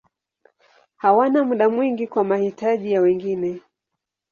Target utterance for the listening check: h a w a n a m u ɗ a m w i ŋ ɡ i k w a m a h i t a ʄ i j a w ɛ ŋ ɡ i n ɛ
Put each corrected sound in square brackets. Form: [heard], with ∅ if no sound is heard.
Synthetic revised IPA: h a w a n a m u ɗ a m w i ŋ ɡ i k w a m a h i t a ʄ i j a w ɛ ŋ ɡ i n ɛ